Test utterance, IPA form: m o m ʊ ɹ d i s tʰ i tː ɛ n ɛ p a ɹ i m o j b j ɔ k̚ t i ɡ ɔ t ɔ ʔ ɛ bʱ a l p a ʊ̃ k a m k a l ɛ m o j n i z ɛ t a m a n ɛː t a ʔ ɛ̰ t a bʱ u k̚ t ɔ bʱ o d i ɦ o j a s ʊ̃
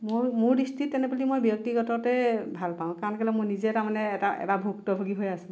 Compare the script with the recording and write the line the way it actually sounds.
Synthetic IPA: m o m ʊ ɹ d i s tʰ i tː ɛ n ɛ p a l i m o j b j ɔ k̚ t i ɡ ɔ t ɔ t ɛ bʱ a l p a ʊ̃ k a n k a l ɛ m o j n i z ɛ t a m a n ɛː t a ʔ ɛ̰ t a bʱ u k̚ t ɔ bʱ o ɡ i ɦ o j a s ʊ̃

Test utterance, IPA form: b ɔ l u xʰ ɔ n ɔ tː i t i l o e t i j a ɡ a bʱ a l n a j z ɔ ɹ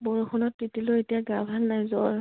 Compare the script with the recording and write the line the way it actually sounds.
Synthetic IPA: b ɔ ɹ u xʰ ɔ n ɔ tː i t i l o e t i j a ɡ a bʱ a l n a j z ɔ ɹ

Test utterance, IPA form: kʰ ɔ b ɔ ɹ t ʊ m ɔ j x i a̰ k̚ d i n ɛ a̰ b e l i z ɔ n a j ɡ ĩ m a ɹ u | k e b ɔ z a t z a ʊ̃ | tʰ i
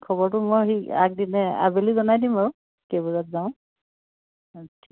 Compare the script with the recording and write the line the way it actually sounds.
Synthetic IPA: kʰ ɔ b ɔ ɹ t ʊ m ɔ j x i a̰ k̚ d i n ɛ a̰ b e l i z ɔ n a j d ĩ m a ɹ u | k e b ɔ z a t z a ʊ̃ | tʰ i

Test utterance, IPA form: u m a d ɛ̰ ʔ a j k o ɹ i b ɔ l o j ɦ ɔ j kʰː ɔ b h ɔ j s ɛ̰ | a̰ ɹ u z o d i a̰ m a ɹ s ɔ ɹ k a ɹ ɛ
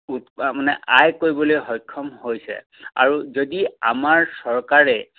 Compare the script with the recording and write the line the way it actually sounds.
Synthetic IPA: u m a n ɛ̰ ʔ a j k o ɹ i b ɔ l o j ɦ ɔ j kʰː ɔ m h o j s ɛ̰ | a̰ ɹ u z o d i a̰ m a ɹ s ɔ ɹ k a ɹ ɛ

